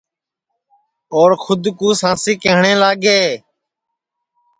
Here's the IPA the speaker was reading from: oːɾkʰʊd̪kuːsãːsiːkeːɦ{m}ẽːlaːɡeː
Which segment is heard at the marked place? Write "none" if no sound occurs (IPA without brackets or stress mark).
ɳ